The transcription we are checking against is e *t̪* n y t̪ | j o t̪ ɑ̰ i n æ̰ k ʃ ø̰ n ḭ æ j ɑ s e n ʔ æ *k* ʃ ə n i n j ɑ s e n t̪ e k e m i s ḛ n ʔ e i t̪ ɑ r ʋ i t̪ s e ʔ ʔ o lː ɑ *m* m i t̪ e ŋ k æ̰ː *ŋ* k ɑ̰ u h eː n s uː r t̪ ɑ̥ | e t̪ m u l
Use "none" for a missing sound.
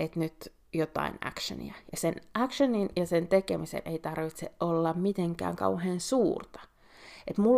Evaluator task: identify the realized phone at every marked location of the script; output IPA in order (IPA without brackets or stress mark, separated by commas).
t̪, k, m, ŋ